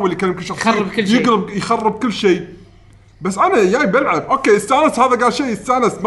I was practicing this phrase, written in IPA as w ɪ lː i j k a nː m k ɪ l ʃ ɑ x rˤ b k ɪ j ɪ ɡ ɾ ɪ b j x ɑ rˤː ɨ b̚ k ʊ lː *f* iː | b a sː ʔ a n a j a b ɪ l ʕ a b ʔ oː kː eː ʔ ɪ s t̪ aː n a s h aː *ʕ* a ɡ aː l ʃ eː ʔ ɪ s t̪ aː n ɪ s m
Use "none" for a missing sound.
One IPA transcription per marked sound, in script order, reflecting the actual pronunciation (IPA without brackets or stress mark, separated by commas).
ʃ, ð